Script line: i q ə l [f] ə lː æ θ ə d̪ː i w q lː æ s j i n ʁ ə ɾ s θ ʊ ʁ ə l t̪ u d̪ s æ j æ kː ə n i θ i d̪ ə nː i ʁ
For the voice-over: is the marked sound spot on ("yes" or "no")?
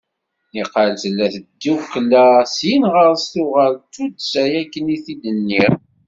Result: no